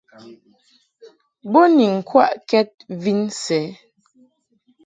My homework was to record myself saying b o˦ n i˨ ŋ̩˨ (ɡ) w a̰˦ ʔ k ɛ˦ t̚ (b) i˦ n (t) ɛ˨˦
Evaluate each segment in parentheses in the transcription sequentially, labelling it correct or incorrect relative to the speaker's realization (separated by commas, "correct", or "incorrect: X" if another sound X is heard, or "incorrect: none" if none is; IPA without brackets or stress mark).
incorrect: k, incorrect: v, incorrect: s